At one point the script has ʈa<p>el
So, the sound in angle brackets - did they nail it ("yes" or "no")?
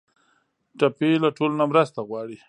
yes